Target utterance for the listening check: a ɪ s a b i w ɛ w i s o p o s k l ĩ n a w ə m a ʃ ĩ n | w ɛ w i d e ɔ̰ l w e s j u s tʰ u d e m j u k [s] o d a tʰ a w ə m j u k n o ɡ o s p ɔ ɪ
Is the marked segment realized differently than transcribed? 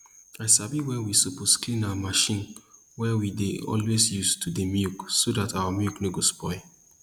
no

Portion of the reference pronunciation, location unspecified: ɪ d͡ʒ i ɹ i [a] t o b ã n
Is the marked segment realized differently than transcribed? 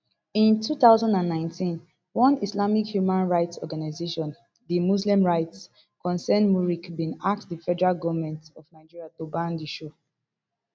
no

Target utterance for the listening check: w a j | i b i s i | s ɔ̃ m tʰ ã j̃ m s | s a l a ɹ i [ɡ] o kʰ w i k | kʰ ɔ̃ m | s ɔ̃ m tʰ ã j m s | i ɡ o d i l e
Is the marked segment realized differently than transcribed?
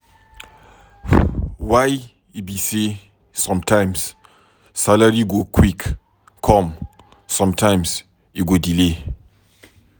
no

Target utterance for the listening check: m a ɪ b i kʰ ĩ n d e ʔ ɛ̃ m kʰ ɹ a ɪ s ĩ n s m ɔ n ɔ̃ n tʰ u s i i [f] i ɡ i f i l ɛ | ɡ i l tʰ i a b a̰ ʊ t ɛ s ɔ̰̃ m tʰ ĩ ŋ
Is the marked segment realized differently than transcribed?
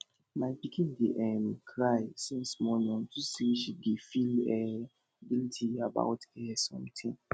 yes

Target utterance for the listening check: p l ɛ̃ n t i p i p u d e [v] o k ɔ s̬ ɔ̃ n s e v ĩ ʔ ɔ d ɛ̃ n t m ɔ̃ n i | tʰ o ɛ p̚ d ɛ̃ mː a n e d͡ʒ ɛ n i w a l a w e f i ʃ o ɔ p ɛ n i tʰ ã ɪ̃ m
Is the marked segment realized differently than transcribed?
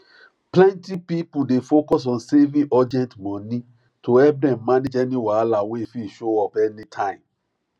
yes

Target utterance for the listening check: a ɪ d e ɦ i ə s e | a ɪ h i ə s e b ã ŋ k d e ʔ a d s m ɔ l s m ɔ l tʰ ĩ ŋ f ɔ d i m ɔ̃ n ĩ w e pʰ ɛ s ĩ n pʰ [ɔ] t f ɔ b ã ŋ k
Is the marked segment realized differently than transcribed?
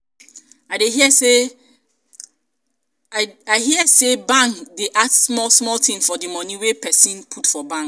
yes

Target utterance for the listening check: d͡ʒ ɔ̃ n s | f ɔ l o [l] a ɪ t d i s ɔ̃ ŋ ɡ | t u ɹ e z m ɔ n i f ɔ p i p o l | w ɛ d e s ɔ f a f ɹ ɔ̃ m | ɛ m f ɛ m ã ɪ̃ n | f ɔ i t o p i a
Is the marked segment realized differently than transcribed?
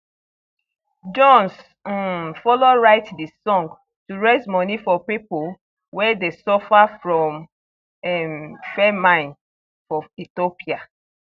yes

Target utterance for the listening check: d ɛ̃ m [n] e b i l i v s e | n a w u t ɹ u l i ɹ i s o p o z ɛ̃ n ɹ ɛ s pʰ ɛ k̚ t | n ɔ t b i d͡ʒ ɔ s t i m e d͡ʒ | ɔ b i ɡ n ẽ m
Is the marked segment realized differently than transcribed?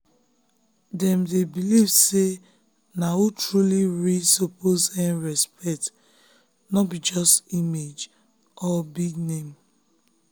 yes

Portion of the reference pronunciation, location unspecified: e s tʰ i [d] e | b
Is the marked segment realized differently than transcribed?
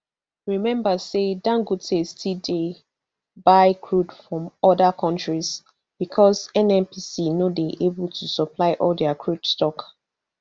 no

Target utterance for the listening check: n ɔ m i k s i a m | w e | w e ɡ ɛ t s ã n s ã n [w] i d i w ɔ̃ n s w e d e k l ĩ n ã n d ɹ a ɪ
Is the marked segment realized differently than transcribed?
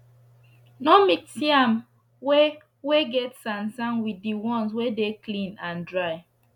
no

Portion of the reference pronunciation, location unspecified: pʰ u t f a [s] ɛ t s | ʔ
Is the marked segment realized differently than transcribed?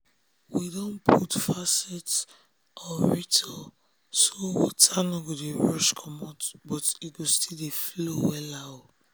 no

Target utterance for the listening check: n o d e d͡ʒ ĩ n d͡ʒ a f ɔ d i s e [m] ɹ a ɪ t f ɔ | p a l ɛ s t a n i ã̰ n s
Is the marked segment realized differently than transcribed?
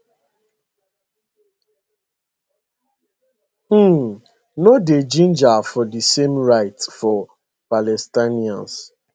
no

